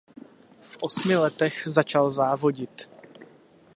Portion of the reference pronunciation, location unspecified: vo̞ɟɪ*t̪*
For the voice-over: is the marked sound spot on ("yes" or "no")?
yes